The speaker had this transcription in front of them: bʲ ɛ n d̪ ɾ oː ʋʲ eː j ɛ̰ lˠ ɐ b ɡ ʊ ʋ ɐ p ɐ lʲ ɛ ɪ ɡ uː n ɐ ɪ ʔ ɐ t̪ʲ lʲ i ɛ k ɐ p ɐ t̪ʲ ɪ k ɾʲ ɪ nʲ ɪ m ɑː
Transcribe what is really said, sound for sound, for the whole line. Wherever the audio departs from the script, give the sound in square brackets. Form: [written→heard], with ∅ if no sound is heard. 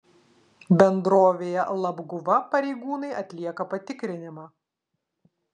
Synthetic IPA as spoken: bʲ ɛ n d̪ ɾ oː ʋʲ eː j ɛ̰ lˠ ɐ b ɡ ʊ ʋ ɐ p ɐ [lʲ→ɾʲ] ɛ ɪ ɡ uː n ɐ ɪ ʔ ɐ t̪ʲ lʲ i ɛ k ɐ p ɐ t̪ʲ ɪ k ɾʲ ɪ nʲ ɪ m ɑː

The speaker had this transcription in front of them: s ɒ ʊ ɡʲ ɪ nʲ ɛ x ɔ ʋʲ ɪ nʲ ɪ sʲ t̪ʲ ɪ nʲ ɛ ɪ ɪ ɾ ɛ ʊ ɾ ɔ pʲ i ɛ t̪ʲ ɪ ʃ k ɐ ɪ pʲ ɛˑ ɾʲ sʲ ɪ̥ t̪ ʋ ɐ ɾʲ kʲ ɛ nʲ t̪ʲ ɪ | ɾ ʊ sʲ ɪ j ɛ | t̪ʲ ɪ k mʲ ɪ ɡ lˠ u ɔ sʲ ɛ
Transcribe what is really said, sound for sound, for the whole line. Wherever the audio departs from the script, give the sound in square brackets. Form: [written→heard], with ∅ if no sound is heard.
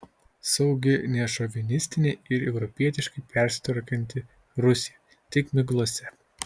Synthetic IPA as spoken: s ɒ ʊ ɡʲ ɪ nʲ ɛ [x→ʃ] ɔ ʋʲ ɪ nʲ ɪ sʲ t̪ʲ ɪ nʲ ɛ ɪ ɪ ɾ ɛ ʊ ɾ ɔ pʲ i ɛ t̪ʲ ɪ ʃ k ɐ ɪ pʲ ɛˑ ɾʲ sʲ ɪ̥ t̪ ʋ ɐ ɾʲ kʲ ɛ nʲ t̪ʲ ɪ | ɾ ʊ sʲ ɪ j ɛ | t̪ʲ ɪ k mʲ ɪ ɡ lˠ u ɔ sʲ ɛ

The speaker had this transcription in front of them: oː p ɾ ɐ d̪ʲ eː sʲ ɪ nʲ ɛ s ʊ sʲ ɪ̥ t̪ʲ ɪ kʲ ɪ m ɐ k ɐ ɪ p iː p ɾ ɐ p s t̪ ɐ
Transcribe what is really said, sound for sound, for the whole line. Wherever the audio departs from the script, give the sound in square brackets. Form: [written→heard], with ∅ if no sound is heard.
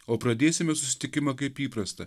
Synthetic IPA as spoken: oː p ɾ ɐ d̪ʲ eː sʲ ɪ [nʲ→mʲ] ɛ s ʊ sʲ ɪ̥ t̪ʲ ɪ kʲ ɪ m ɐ k ɐ ɪ p iː p ɾ ɐ [p→∅] s t̪ ɐ

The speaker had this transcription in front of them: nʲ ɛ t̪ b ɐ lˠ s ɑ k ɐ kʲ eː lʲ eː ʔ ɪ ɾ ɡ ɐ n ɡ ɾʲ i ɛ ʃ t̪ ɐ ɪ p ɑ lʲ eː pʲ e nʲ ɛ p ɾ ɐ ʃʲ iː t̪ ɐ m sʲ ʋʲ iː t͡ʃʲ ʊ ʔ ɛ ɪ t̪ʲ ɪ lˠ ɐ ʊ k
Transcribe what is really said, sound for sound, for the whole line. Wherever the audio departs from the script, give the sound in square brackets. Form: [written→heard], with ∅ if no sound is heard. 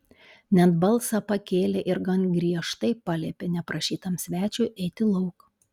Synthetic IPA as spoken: nʲ ɛ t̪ b ɐ lˠ s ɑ [k→p] ɐ kʲ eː lʲ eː ʔ ɪ ɾ ɡ ɐ n ɡ ɾʲ i ɛ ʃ t̪ ɐ ɪ p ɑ lʲ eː pʲ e nʲ ɛ p ɾ ɐ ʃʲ iː t̪ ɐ m sʲ ʋʲ [iː→æː] t͡ʃʲ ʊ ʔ ɛ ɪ t̪ʲ ɪ lˠ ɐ ʊ k

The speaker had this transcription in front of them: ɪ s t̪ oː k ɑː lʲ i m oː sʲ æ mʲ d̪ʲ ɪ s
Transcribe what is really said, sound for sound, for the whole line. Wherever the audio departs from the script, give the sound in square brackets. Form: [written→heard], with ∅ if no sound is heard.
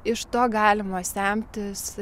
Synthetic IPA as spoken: ɪ [s→ʃ] t̪ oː [k→ɡ] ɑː lʲ [i→ɪ] m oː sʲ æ mʲ [d̪ʲ→t̪ʲ] ɪ s

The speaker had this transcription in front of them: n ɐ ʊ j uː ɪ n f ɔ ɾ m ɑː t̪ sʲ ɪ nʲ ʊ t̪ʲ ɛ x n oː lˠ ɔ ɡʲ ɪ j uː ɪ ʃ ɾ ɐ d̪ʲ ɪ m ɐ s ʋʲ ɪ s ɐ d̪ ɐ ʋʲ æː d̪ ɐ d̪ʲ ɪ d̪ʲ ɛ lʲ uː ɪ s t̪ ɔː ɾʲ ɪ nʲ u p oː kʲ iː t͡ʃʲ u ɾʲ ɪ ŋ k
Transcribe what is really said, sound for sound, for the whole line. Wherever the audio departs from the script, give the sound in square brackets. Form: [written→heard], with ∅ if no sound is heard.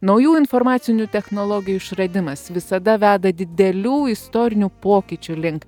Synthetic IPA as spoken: n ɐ ʊ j uː ɪ n f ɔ ɾ m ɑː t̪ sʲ ɪ nʲ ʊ t̪ʲ ɛ x n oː lˠ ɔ ɡʲ ɪ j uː ɪ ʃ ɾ ɐ d̪ʲ ɪ m ɐ s ʋʲ ɪ s ɐ d̪ ɐ ʋʲ æː d̪ ɐ d̪ʲ ɪ d̪ʲ ɛ lʲ uː ɪ s t̪ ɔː ɾʲ ɪ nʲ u p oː kʲ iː t͡ʃʲ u [ɾʲ→lʲ] ɪ ŋ k

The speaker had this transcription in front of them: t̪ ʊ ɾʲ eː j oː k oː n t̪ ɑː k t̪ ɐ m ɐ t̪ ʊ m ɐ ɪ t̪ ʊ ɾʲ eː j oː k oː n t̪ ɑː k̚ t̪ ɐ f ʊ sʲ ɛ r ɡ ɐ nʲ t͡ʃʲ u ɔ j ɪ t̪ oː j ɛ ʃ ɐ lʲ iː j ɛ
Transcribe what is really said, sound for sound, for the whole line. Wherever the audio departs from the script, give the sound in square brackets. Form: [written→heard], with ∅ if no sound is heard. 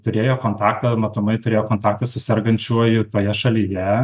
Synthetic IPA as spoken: t̪ ʊ ɾʲ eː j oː k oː n t̪ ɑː k t̪ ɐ m ɐ t̪ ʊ m ɐ ɪ t̪ ʊ ɾʲ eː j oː k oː n t̪ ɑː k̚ t̪ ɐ [f→s] ʊ sʲ ɛ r ɡ ɐ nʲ t͡ʃʲ u ɔ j ɪ t̪ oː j ɛ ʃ ɐ lʲ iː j ɛ

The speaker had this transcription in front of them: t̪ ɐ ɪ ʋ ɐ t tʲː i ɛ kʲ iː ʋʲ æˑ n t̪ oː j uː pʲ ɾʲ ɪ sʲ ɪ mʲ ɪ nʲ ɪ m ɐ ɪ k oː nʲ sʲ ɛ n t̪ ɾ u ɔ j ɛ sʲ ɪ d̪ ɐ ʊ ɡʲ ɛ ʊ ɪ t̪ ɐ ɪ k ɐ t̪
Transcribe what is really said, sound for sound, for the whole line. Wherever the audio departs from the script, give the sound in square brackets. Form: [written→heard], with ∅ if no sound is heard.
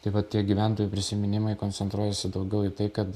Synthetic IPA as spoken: t̪ ɐ ɪ ʋ ɐ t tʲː i ɛ [kʲ→ɡʲ] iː ʋʲ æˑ n t̪ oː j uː pʲ ɾʲ ɪ sʲ ɪ mʲ ɪ nʲ ɪ m ɐ ɪ k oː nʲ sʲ ɛ n t̪ ɾ u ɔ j ɛ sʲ ɪ d̪ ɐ ʊ ɡʲ ɛ ʊ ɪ t̪ ɐ ɪ k ɐ t̪

